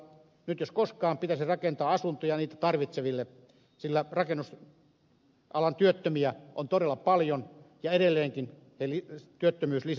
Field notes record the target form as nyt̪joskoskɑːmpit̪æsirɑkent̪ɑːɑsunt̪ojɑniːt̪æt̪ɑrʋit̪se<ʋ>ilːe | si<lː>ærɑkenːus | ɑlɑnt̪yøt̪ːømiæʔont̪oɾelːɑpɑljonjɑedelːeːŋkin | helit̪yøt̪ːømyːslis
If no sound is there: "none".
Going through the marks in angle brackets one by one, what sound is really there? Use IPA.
ʋ, lː

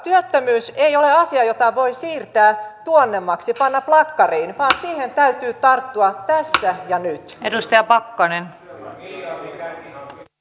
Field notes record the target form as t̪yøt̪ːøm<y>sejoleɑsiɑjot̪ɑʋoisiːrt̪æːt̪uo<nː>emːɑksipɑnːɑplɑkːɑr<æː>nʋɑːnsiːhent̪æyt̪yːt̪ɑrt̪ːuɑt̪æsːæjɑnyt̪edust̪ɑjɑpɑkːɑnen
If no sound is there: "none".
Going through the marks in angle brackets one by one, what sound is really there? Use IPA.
yː, nː, iː

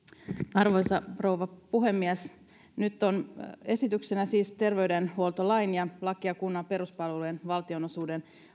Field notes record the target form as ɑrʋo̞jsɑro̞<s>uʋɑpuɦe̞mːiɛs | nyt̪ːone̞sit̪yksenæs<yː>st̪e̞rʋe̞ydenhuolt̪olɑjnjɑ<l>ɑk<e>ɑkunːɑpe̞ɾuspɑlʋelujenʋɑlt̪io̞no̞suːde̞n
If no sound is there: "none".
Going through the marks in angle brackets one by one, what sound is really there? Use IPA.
none, iː, l, i

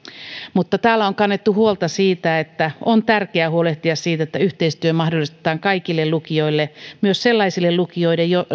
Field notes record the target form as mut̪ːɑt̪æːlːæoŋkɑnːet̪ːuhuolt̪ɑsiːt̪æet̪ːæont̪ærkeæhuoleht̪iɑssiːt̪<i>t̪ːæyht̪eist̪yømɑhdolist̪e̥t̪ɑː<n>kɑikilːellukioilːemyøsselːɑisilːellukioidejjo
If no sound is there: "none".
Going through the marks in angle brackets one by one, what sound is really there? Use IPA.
e, ŋ

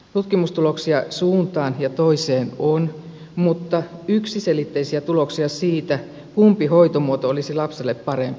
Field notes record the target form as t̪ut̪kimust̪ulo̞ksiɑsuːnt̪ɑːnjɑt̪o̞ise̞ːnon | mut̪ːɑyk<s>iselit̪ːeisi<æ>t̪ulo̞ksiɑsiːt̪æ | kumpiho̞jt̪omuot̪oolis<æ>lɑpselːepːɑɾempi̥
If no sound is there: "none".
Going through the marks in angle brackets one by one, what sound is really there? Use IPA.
s, æ, i

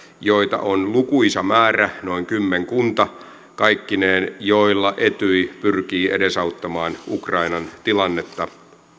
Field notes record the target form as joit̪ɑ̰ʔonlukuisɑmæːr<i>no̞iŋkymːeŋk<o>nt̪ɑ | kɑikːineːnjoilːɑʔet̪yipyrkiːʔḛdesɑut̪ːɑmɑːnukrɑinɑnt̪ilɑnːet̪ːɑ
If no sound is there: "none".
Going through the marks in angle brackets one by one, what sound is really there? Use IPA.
æ, u

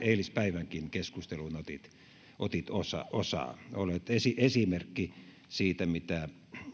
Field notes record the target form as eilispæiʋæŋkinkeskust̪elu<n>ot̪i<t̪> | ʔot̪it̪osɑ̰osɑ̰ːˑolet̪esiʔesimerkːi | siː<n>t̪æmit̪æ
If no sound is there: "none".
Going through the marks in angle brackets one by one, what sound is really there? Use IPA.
n, t̪, none

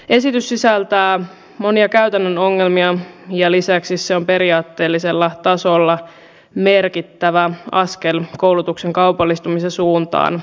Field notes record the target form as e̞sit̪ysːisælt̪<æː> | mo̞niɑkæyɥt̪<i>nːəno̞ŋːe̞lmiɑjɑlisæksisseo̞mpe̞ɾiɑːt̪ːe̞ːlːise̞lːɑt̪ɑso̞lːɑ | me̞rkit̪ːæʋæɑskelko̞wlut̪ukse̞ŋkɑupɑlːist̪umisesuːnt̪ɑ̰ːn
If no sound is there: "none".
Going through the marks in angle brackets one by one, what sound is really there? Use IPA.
æː, æ

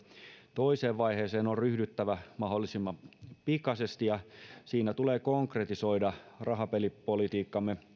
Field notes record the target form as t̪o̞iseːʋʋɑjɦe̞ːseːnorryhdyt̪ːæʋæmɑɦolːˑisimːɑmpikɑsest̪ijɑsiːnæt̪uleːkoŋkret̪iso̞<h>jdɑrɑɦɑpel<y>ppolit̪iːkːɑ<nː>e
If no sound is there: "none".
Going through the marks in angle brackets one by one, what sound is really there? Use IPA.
none, i, mː

